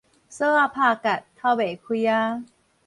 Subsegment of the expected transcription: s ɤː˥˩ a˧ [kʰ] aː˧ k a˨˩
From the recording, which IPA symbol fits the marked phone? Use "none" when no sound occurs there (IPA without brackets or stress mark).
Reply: pʰ